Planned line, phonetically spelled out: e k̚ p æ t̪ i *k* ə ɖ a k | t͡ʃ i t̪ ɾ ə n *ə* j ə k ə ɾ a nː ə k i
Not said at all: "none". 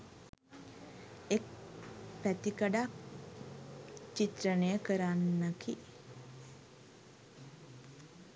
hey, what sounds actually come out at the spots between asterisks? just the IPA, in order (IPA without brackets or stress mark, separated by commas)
k, ə